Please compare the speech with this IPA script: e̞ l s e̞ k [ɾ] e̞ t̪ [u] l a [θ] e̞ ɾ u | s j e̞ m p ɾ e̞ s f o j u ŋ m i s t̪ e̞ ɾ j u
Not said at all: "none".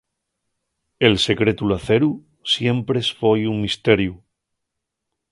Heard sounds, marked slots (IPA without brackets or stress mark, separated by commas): ɾ, u, θ